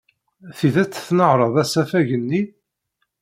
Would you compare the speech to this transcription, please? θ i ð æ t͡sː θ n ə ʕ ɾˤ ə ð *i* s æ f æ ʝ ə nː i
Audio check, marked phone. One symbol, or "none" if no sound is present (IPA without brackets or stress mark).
æ